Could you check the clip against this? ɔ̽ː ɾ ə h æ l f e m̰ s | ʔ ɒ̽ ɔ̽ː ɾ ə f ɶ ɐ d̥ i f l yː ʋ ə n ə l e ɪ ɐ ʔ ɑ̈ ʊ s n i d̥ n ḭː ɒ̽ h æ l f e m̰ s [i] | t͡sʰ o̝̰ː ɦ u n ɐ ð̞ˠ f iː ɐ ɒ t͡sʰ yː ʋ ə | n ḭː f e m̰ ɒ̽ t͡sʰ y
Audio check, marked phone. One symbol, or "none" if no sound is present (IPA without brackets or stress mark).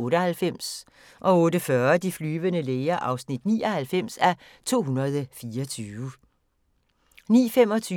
æ